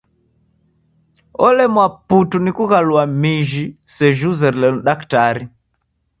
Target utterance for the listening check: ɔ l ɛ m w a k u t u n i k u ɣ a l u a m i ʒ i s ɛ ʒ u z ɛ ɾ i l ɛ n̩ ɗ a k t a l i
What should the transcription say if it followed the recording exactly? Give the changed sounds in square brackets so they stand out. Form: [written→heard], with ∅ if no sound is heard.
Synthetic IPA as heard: ɔ l ɛ m w a [k→p] u t u n i k u ɣ a l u a m i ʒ i s ɛ ʒ u z ɛ ɾ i l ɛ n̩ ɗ a k t a [l→ɾ] i